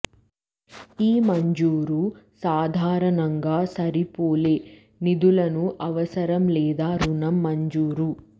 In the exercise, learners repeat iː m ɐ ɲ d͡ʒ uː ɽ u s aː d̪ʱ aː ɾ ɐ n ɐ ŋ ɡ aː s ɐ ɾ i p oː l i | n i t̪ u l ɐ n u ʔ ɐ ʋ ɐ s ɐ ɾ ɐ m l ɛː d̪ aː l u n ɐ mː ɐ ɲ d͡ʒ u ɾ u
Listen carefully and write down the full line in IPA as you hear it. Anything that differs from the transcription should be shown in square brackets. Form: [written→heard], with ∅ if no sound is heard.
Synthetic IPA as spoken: iː m ɐ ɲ d͡ʒ uː [ɽ→ɾ] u s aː d̪ʱ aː ɾ ɐ n ɐ ŋ ɡ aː s ɐ ɾ i p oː l [i→e] | n i [t̪→d̪] u l ɐ n u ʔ ɐ ʋ ɐ s ɐ ɾ ɐ m l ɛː d̪ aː [l→ɾ] u n ɐ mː ɐ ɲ d͡ʒ [u→uː] ɾ u